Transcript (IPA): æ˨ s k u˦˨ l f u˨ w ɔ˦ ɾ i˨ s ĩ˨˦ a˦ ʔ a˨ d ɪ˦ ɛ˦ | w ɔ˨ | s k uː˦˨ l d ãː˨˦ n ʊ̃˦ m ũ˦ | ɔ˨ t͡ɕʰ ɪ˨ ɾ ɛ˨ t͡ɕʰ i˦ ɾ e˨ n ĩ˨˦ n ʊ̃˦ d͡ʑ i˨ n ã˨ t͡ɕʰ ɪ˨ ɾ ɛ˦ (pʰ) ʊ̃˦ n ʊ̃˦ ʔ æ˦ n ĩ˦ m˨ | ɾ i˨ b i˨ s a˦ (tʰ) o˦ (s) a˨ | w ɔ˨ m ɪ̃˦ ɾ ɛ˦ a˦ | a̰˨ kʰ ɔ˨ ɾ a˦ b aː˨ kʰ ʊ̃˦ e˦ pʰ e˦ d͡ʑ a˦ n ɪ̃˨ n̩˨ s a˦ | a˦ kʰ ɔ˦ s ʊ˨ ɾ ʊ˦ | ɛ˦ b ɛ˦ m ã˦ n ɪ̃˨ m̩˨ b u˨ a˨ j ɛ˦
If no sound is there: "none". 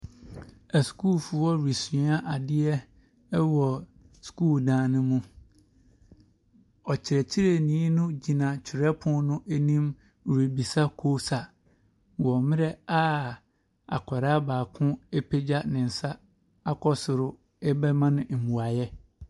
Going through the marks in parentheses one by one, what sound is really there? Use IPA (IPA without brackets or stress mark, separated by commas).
pʰ, kʰ, s